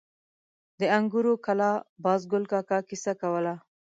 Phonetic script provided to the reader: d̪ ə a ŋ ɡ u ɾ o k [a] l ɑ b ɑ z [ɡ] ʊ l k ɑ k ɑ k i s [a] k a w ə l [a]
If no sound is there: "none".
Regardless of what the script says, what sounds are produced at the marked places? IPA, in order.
a, ɡ, a, a

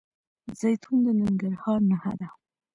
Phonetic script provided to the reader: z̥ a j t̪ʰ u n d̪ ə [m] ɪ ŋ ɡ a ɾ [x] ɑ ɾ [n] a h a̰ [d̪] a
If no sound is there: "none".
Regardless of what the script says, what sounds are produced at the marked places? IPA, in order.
n, h, n, d̪

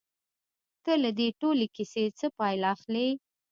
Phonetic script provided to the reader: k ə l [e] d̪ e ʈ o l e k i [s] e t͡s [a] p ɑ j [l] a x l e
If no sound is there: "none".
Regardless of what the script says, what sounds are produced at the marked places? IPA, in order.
a, s, ə, l

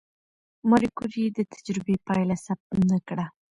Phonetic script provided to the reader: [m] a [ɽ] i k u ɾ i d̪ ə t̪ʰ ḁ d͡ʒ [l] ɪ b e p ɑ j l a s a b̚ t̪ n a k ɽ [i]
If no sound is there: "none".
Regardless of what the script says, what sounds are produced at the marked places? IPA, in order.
m, ɾ, ɾ, a

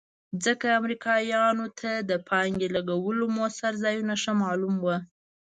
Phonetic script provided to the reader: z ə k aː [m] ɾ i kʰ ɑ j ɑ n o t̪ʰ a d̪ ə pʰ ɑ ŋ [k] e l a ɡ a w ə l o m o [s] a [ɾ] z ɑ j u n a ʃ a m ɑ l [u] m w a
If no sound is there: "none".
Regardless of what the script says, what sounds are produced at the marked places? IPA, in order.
m, ɡ, s, ɾ, u

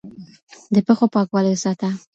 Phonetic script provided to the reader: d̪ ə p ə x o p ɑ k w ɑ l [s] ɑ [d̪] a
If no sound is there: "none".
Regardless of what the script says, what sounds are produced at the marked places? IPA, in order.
s, t̪

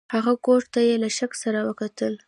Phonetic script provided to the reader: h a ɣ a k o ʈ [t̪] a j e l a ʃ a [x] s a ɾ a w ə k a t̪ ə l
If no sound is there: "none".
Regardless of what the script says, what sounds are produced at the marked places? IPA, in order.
t̪, k

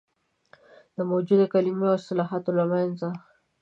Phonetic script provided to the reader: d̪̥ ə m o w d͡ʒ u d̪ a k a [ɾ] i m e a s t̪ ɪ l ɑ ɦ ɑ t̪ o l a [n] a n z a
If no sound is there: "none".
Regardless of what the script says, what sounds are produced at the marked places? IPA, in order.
l, m

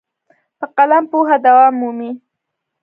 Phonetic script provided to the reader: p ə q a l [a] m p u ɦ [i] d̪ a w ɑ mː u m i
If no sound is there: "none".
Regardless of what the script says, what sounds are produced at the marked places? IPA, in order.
a, a

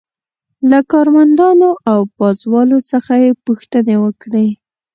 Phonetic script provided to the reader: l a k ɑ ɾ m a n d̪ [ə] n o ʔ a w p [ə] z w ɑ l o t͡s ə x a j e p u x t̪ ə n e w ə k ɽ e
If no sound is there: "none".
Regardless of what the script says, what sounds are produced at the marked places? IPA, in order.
ɑ, ɑ

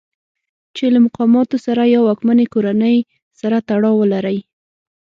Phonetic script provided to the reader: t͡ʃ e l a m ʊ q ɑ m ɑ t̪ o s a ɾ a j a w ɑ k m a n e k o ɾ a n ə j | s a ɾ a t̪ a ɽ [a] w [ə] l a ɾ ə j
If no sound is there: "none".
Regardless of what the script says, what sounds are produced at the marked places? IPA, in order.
ɑ, ə

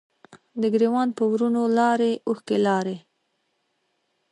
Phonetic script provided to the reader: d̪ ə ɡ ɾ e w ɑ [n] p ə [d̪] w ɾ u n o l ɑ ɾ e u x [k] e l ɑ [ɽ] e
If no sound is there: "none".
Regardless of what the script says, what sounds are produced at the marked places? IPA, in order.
n, none, k, ɾ

